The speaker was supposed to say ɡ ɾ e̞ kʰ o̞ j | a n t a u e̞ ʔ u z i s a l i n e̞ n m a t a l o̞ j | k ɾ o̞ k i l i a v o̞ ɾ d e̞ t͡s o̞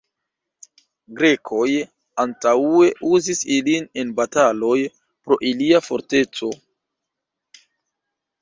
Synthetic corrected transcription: ɡ ɾ e̞ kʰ o̞ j | a n t a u e̞ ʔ u z i s i l i n e̞ n b a t a l o̞ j | p ɾ o̞ ʔ i l i a f o̞ ɾ t e̞ t͡s o̞